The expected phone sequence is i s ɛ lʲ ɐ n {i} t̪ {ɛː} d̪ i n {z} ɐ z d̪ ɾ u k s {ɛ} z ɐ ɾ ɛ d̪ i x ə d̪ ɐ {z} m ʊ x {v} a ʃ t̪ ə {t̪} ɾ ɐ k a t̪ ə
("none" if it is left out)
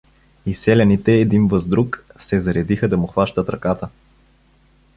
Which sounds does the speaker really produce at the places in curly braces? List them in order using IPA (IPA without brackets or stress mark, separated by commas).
i, ɛː, v, ɛ, none, v, t̪